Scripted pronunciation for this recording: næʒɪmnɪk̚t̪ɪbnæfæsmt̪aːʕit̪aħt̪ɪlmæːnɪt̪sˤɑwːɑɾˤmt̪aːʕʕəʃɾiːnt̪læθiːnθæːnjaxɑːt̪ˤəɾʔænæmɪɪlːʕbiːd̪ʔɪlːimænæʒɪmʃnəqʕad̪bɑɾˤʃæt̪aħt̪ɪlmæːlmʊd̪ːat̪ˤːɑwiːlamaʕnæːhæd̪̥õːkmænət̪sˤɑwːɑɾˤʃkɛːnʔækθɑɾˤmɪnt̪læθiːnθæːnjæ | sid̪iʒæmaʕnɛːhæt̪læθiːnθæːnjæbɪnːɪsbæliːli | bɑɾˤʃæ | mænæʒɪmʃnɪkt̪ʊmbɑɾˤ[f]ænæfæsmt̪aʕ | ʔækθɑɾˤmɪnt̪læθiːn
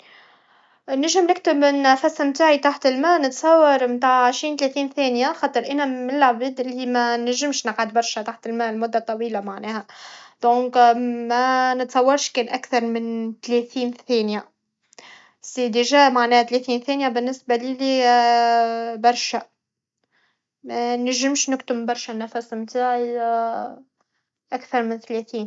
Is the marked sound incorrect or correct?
incorrect